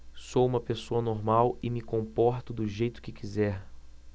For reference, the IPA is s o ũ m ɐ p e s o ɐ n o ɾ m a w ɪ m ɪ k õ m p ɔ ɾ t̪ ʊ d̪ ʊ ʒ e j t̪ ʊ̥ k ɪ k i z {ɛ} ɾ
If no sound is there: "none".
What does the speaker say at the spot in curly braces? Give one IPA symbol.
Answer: ɛ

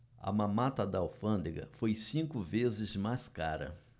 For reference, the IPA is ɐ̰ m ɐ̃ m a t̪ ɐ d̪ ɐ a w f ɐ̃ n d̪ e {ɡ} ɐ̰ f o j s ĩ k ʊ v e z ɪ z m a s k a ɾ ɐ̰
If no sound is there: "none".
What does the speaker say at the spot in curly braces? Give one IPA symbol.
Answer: ɡ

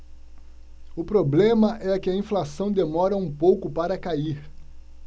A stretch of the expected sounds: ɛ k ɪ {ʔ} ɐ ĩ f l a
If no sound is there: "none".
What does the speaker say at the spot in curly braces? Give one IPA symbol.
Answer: none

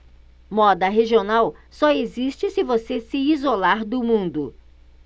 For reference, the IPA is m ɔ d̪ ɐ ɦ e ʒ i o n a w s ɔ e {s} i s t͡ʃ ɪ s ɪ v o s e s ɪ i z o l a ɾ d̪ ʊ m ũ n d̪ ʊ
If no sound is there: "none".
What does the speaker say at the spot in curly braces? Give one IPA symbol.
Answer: z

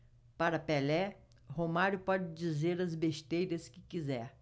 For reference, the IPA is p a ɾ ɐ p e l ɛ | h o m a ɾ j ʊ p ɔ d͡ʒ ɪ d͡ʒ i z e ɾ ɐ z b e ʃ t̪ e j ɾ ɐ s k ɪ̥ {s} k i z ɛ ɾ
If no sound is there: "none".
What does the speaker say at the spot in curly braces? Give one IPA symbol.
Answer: none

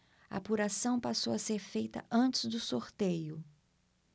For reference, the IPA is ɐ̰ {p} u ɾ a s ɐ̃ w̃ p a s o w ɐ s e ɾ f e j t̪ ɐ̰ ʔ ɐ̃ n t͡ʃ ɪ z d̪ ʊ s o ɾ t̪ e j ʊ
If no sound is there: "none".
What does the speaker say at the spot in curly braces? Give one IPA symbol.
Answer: p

